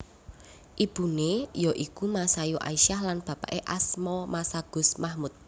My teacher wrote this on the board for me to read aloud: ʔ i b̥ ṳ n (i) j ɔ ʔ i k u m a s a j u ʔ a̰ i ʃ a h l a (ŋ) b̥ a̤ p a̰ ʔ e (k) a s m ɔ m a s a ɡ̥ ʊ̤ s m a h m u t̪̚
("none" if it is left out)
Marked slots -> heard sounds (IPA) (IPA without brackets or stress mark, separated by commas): e, n, ʔ